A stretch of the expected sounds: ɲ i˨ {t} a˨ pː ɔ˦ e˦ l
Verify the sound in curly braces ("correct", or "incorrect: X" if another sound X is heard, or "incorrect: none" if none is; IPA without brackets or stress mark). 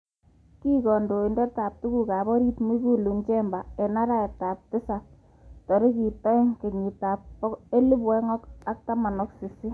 correct